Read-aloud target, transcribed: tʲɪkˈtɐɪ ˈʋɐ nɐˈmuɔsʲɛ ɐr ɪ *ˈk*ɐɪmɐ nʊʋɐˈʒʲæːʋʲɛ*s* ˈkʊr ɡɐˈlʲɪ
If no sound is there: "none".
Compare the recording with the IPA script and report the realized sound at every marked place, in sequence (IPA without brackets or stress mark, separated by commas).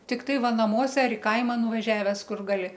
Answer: k, s